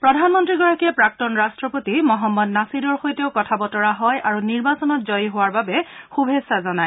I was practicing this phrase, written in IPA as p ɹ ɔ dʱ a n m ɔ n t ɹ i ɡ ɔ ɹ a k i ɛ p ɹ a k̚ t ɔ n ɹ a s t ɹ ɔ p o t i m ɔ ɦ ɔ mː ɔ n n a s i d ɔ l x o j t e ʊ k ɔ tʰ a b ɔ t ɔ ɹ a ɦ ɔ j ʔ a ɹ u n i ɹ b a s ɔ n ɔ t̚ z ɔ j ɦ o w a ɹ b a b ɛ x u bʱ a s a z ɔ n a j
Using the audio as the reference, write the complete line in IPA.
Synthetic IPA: p ɹ ɔ dʱ a n m ɔ n t ɹ i ɡ ɔ ɹ a k i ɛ p ɹ a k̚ t ɔ n ɹ a s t ɹ ɔ p o t i m ɔ ɦ ɔ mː ɔ d n a s i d ɔ ɹ x o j t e ʊ k ɔ tʰ a b ɔ t ɔ ɹ a ɦ ɔ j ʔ a ɹ u n i ɹ b a s ɔ n ɔ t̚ z ɔ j ɦ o w a ɹ b a b ɛ x u bʱ e s a z ɔ n a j